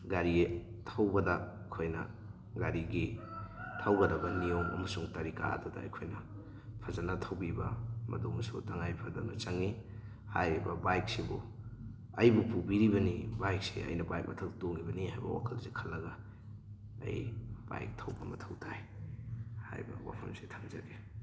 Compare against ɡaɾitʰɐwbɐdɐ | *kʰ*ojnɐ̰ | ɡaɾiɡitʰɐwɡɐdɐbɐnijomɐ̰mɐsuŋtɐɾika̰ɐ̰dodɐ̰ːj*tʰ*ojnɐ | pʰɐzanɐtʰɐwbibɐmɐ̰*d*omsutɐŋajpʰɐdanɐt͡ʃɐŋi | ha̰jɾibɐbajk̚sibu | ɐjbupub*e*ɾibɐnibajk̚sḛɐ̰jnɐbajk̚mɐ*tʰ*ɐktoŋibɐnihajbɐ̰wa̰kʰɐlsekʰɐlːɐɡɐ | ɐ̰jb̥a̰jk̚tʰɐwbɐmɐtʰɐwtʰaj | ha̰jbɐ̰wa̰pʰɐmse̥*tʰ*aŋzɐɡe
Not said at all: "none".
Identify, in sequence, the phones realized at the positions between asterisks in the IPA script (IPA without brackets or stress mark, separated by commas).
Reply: kʰ, kʰ, d, i, tʰ, tʰ